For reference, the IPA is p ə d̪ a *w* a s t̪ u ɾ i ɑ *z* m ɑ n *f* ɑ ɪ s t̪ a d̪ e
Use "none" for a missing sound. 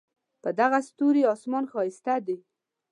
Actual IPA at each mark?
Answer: ɣ, s, x

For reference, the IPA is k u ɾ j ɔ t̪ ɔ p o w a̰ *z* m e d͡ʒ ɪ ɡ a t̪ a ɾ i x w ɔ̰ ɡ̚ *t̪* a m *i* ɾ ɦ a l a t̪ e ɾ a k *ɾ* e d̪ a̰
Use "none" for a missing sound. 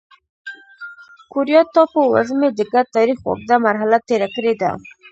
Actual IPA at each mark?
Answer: z, d̪, a, ɾ

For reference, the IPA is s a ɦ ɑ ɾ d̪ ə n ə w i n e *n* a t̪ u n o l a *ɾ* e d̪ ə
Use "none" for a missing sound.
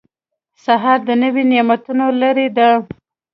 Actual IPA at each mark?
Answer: m, ɾ

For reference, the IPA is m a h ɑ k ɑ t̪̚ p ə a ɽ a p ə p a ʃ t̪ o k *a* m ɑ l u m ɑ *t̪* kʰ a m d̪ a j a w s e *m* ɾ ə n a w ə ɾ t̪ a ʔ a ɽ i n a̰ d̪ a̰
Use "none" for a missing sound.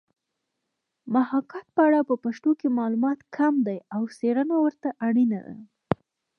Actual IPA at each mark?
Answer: e, t̪, none

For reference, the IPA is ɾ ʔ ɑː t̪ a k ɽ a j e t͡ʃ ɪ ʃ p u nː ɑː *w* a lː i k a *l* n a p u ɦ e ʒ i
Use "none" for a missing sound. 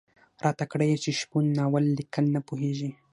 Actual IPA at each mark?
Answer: w, l

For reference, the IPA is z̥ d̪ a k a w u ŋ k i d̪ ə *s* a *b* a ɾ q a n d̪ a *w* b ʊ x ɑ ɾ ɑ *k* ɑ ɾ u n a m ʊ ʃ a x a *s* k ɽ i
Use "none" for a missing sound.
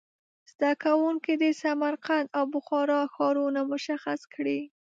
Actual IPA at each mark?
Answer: s, m, w, x, s

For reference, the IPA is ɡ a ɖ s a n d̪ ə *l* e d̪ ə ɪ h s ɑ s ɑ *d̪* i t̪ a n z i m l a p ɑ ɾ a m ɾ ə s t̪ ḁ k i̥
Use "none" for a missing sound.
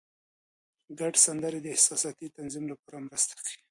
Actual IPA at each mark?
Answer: ɾ, t̪

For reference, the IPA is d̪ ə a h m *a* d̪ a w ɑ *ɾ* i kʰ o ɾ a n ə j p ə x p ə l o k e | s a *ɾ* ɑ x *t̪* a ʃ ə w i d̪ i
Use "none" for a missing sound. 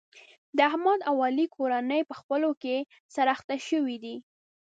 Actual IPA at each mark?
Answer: ɑ, l, ɾ, t̪

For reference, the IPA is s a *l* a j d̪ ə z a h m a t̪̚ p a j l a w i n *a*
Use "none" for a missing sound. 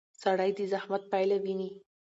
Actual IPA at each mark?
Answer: ɽ, i

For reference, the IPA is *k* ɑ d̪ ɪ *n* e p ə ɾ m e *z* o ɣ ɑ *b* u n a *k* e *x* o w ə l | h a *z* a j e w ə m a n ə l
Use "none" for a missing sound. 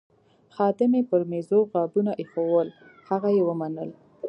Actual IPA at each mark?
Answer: x, m, z, b, ʔ, x, ɣ

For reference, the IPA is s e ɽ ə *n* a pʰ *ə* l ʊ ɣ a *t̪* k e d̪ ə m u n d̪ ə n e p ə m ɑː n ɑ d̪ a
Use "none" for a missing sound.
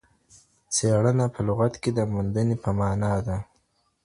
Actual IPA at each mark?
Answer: n, ə, t̪

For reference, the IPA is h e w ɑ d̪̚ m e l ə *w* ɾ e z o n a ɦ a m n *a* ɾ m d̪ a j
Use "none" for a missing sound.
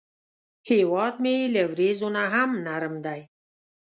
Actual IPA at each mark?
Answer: w, a

